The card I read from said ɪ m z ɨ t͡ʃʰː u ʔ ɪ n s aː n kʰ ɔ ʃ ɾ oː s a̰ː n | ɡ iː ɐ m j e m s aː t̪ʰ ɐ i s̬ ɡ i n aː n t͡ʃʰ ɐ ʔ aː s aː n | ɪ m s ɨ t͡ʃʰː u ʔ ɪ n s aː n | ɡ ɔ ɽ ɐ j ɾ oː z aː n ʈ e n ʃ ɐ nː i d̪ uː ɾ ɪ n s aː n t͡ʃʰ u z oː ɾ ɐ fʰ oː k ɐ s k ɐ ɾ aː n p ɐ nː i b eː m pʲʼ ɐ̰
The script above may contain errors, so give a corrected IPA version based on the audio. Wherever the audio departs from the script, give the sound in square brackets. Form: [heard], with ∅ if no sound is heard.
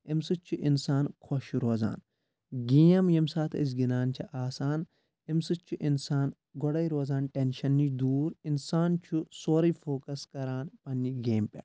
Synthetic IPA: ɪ m [s] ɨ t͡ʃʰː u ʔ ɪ n s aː n kʰ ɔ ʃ ɾ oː [z] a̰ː n | ɡ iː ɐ m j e m s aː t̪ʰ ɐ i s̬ ɡ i n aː n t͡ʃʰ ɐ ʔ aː s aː n | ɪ m s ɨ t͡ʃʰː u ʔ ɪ n s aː n | ɡ ɔ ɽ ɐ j ɾ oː z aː n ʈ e n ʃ ɐ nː i d̪ uː ɾ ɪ n s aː n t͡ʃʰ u [s] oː ɾ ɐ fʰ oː k ɐ s k ɐ ɾ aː n p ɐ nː i [ɡ] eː m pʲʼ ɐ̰

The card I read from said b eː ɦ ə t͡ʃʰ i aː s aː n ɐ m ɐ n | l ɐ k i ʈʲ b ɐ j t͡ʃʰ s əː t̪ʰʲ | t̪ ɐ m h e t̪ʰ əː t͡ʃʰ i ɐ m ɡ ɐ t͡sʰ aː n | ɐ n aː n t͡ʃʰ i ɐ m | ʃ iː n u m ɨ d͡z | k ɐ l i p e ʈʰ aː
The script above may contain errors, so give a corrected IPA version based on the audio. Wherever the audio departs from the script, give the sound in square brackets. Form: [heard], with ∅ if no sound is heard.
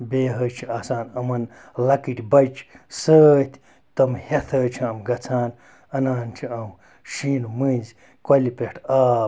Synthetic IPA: b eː ɦ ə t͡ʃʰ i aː s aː n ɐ m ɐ n | l ɐ k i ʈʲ b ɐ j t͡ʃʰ s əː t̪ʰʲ | t̪ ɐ m h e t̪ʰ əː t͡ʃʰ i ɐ m ɡ ɐ t͡sʰ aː n | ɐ n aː n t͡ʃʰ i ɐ m | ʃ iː n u m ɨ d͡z | k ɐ l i p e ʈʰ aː

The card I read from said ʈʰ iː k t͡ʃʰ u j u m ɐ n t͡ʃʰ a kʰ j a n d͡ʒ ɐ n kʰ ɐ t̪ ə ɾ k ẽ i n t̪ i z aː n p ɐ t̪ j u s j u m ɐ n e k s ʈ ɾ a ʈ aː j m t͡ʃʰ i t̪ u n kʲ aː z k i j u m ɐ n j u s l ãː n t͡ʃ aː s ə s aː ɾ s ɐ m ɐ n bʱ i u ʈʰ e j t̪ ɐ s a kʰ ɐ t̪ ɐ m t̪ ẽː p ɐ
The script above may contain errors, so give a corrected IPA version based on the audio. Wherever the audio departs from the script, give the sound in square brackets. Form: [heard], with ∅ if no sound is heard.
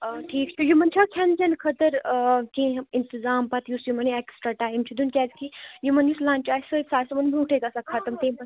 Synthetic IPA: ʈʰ iː k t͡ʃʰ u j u m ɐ n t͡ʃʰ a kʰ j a n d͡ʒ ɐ n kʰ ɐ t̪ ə ɾ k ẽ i n t̪ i z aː [m] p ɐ t̪ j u s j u m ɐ n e k s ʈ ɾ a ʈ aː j m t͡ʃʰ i [d̪] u n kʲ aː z k i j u m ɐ n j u s l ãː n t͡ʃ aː s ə s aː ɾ s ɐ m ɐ n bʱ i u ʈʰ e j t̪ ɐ s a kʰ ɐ t̪ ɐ m t̪ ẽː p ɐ

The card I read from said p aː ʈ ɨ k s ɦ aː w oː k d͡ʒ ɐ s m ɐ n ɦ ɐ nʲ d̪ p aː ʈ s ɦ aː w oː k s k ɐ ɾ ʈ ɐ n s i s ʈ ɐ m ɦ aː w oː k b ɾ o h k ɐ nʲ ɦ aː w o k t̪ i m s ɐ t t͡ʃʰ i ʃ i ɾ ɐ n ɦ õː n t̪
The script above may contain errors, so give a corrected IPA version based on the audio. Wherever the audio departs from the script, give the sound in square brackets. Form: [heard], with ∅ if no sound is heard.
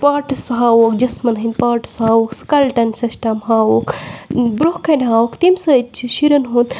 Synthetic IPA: p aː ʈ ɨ [∅] s ɦ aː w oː k d͡ʒ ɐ s m ɐ n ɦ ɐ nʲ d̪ p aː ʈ s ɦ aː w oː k s k ɐ [l] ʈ ɐ n s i s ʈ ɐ m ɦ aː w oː k b ɾ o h k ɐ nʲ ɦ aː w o k t̪ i m s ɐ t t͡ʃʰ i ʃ i ɾ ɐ n ɦ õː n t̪

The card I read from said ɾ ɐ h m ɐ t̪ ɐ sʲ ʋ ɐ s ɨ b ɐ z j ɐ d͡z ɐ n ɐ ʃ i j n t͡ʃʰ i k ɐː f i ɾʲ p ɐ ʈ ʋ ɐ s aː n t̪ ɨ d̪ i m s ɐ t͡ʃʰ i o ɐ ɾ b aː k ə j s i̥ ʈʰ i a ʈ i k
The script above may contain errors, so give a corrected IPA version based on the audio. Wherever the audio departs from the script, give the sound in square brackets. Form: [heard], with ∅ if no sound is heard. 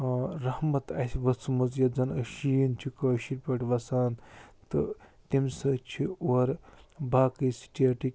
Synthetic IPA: ɾ ɐ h m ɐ t̪ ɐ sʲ ʋ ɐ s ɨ [m] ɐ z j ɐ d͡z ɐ n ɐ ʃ i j n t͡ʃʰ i k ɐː [ʃ] i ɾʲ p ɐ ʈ ʋ ɐ s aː n t̪ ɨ [t̪] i m s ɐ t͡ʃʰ i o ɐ ɾ b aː k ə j s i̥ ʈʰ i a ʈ i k

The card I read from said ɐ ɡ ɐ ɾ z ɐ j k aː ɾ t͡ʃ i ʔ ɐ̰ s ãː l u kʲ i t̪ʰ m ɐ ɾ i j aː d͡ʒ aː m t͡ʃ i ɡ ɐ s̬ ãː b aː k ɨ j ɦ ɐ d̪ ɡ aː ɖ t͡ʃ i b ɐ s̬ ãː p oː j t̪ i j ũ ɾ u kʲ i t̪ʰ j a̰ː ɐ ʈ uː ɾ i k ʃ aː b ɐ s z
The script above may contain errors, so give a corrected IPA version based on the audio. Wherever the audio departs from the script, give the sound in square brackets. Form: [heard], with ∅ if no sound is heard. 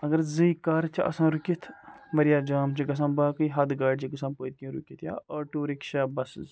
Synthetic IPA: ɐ ɡ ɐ ɾ z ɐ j k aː ɾ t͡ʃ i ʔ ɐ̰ s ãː [ɾ] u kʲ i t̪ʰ m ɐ ɾ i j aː d͡ʒ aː m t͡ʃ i ɡ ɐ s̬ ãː b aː k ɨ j ɦ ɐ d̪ ɡ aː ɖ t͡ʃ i [ɡ] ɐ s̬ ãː p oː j t̪ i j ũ ɾ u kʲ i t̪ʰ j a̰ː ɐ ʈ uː ɾ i k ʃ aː b ɐ s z

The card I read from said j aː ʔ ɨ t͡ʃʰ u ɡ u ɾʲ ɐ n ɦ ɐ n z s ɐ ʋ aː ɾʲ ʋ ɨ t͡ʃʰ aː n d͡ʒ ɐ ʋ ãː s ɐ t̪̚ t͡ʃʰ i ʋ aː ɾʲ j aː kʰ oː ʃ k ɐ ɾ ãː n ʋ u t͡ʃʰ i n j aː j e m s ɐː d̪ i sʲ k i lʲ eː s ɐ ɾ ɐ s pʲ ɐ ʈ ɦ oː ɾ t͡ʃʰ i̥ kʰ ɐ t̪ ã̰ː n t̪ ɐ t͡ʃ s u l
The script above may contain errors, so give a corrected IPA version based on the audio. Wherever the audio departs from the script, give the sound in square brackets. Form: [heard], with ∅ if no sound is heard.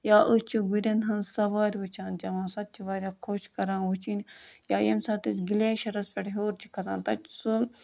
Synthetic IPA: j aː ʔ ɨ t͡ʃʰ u ɡ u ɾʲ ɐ n ɦ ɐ n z s ɐ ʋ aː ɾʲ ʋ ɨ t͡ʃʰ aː n d͡ʒ ɐ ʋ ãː s ɐ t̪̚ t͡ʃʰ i ʋ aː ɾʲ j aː kʰ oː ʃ k ɐ ɾ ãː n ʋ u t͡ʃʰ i n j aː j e m s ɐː [t̪] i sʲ [ɡ] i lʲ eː [ʃ] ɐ ɾ ɐ s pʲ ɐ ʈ ɦ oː ɾ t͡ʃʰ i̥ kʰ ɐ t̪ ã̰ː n t̪ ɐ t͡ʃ s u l

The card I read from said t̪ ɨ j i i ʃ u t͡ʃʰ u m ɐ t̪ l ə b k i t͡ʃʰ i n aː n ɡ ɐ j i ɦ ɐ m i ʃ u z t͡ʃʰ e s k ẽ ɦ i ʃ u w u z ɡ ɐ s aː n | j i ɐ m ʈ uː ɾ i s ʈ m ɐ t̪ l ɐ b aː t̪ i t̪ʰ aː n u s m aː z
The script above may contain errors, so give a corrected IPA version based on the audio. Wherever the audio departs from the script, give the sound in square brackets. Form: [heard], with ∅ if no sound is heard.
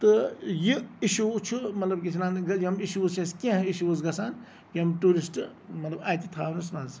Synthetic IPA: t̪ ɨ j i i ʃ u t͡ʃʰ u m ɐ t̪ l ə b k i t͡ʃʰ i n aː n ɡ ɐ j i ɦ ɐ m i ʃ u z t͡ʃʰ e s k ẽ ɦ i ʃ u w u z ɡ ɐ s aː n | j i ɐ m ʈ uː ɾ i s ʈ m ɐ t̪ l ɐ b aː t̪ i t̪ʰ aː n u s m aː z

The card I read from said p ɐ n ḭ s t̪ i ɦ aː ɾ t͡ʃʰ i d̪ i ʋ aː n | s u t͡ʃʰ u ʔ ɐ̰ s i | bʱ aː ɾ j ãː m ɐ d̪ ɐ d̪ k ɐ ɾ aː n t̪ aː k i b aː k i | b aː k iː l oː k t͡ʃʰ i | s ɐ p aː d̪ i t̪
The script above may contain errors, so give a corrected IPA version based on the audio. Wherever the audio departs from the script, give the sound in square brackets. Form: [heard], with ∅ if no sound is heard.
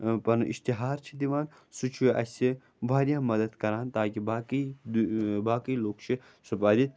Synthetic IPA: p ɐ n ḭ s t̪ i ɦ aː ɾ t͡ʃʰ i d̪ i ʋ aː n | s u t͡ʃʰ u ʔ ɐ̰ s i | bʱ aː ɾ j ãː m ɐ d̪ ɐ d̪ k ɐ ɾ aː n t̪ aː k i b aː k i | b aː k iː l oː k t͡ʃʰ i | s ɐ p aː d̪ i t̪

